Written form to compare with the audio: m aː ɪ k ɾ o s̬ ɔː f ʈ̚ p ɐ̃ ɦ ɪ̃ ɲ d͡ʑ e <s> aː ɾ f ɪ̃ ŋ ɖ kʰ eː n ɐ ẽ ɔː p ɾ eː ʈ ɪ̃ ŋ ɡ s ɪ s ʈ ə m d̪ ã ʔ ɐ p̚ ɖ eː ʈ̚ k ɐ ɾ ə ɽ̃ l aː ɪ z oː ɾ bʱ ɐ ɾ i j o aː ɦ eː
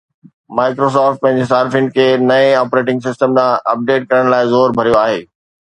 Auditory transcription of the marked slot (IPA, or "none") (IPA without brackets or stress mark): s